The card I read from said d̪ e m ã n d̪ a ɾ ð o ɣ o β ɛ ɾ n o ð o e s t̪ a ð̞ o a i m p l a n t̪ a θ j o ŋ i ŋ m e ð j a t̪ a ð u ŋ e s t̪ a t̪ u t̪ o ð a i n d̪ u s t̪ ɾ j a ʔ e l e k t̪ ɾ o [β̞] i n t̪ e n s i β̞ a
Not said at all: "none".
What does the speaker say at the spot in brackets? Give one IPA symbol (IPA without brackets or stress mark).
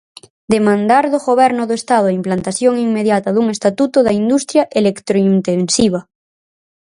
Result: none